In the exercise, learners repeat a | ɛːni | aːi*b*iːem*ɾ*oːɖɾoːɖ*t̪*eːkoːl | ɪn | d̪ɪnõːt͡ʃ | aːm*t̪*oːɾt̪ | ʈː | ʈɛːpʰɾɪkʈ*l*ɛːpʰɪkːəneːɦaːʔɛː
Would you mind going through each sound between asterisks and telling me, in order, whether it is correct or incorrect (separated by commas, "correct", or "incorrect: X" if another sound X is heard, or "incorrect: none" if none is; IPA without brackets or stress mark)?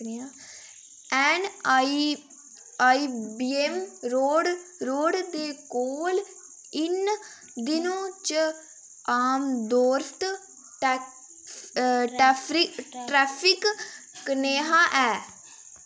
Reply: correct, correct, incorrect: d̪, incorrect: d̪, incorrect: ɾ